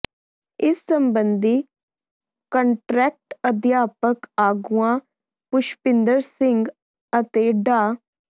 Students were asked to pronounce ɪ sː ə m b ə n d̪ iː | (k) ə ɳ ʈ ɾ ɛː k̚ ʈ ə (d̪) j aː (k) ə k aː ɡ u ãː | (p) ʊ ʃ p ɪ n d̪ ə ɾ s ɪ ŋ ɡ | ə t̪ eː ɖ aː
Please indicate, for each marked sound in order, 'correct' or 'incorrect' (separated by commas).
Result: correct, correct, incorrect, correct